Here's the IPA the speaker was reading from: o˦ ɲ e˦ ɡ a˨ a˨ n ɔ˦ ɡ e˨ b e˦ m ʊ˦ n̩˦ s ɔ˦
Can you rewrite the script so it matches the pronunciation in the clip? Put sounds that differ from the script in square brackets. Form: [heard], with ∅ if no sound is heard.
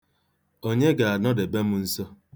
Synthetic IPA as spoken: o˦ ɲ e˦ ɡ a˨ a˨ n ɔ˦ [d] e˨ b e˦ m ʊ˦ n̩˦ s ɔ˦